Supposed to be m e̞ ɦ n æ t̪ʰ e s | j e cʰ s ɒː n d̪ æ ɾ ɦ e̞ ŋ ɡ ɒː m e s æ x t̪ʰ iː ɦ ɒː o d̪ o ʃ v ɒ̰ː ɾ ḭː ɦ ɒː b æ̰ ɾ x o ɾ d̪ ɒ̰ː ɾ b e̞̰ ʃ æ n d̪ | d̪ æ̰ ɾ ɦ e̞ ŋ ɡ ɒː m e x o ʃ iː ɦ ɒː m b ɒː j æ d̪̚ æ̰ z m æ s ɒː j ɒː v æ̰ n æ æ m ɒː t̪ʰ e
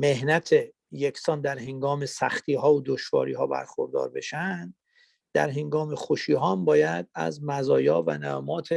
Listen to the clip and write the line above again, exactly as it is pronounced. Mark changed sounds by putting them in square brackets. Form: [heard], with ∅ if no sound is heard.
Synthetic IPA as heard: m e̞ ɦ n æ t̪ʰ e [∅] | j e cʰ s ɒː n d̪ æ ɾ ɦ e̞ ŋ ɡ ɒː m e s æ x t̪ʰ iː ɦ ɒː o d̪ o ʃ v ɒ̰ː ɾ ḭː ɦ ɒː b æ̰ ɾ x o ɾ d̪ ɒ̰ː ɾ b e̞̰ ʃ æ n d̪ | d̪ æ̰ ɾ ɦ e̞ ŋ ɡ ɒː m e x o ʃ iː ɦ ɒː m b ɒː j æ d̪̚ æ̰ z m æ [z] ɒː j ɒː v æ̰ n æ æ m ɒː t̪ʰ e